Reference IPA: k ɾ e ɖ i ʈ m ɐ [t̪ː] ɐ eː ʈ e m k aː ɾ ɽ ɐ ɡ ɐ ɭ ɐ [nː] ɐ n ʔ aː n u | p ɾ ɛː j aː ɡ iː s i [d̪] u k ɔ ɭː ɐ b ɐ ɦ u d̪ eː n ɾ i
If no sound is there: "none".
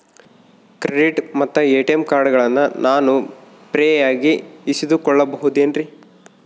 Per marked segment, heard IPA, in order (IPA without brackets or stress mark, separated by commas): t̪ː, nː, d̪